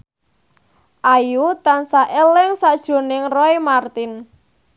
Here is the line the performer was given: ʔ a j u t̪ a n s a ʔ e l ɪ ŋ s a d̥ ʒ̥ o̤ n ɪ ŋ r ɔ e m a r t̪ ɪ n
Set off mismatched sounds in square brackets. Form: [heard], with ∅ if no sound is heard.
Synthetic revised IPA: ʔ a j u t̪ a n s a ʔ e l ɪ ŋ s a d̥ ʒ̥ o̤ n ɪ ŋ r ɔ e m a r t̪ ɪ n

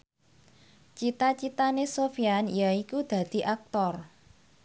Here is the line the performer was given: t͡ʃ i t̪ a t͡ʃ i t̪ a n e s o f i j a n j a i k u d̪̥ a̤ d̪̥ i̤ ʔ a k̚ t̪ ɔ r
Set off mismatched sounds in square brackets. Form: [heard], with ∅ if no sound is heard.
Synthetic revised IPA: t͡ʃ i t̪ a t͡ʃ i t̪ a n e s o f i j a n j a i k u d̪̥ a̤ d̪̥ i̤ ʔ a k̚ t̪ ɔ r

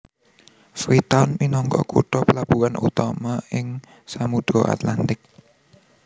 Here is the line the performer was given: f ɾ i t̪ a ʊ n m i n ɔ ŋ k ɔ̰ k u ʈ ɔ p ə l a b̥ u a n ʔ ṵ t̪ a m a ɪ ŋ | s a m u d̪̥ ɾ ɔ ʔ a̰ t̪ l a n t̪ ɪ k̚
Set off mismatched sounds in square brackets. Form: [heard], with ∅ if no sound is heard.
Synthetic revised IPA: f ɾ i t̪ a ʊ n m i n ɔ ŋ k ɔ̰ k u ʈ ɔ p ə l a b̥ u a n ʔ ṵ t̪ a m a ɪ ŋ | s a m u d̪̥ ɾ ɔ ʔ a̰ t̪ l a n t̪ ɪ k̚

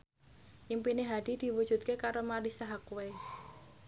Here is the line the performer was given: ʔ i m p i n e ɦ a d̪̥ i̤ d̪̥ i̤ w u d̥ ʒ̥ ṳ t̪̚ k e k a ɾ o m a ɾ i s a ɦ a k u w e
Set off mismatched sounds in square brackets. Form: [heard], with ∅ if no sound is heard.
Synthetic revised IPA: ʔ i m p i n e ɦ a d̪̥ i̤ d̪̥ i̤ w u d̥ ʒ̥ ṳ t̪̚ k e k a ɾ o m a ɾ i s a ɦ a k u w e

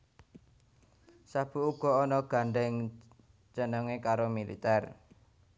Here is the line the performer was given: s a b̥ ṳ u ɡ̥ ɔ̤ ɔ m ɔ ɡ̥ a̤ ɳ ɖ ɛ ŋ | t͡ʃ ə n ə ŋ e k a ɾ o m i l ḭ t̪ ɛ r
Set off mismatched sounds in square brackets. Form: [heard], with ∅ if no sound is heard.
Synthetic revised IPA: s a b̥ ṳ u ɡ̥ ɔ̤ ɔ [n] ɔ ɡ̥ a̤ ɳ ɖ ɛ ŋ | t͡ʃ ə n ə ŋ e k a ɾ o m i l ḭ t̪ ɛ r

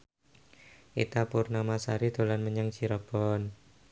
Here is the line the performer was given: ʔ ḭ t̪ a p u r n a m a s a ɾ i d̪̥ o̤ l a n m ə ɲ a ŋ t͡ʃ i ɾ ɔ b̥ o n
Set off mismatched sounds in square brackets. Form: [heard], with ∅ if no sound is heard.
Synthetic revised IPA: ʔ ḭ t̪ a p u r n a m a s a ɾ i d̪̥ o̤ l a n m ə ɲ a ŋ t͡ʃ i ɾ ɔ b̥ [ɔ] n

